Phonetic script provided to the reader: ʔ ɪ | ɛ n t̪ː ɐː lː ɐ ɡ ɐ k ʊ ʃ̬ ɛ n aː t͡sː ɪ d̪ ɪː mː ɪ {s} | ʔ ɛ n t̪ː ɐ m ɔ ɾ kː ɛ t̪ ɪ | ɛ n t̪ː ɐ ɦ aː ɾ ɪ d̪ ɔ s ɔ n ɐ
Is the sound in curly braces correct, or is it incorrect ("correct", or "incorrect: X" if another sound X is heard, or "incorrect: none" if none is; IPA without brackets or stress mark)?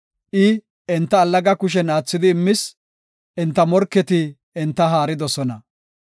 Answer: correct